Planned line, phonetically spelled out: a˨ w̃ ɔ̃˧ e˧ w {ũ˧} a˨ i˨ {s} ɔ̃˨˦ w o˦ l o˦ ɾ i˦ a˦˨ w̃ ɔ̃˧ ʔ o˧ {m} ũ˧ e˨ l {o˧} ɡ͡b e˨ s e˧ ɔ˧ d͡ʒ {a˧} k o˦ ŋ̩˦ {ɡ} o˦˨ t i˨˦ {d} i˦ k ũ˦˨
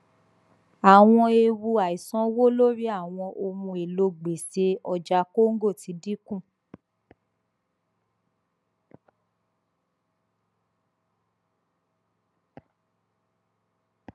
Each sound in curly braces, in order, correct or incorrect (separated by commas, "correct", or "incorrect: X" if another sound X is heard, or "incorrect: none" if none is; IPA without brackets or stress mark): incorrect: u˧, correct, correct, correct, correct, correct, correct